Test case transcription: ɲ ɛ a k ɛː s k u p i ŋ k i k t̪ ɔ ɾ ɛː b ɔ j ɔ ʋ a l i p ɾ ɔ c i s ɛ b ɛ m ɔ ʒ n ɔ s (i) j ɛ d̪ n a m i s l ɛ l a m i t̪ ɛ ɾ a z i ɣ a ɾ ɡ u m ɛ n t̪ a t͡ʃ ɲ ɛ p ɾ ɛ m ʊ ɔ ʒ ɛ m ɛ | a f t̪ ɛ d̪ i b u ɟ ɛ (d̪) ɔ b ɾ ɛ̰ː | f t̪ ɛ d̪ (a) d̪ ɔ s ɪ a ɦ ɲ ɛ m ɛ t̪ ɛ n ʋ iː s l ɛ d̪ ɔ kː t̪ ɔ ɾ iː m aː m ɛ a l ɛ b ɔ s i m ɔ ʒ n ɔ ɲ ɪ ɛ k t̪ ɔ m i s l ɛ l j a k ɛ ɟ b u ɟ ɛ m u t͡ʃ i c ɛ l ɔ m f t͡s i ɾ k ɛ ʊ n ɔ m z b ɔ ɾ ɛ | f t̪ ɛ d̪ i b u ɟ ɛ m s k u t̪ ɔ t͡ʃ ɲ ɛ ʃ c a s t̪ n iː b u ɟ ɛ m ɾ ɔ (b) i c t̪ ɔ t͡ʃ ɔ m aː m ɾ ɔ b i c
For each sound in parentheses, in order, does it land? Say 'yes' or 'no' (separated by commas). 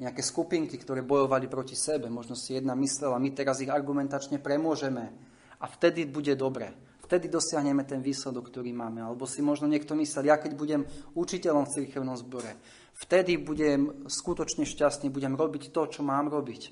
yes, yes, no, yes